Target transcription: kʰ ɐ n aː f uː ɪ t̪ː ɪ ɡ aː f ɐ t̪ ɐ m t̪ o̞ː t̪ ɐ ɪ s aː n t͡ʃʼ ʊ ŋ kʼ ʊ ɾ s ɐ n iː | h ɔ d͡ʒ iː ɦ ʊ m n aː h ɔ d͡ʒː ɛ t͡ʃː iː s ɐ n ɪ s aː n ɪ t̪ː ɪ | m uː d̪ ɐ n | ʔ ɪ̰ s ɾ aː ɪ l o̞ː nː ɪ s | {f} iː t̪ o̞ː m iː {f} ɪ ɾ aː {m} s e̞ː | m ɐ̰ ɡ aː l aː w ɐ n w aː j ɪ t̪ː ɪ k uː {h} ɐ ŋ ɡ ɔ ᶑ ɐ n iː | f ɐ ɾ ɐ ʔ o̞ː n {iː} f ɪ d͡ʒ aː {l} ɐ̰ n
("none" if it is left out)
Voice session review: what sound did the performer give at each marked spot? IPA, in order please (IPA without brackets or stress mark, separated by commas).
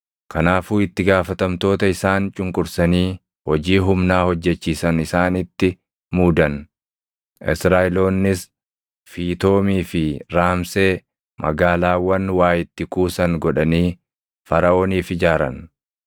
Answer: f, f, m, s, iː, ɾ